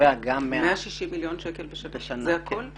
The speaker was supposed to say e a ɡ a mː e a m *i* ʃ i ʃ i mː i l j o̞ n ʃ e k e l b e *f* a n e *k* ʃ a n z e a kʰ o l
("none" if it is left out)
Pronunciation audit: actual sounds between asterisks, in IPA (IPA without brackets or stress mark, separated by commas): a, ʃ, none